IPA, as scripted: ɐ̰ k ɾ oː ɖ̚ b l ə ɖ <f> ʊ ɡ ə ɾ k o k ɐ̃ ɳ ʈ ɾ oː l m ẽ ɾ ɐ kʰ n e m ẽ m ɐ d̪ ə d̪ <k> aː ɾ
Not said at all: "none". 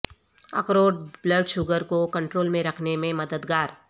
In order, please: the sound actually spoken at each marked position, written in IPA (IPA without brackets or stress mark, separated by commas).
ʃ, ɡ